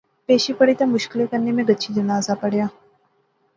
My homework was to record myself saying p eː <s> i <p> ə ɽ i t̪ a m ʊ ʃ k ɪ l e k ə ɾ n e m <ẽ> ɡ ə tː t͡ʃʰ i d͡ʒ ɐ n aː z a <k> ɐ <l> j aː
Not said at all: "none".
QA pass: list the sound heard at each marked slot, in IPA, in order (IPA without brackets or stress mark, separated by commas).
ʃ, p, ẽ, p, ɽ